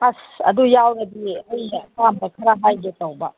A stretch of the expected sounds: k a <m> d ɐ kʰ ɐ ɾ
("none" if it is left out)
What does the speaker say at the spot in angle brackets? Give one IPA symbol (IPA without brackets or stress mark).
m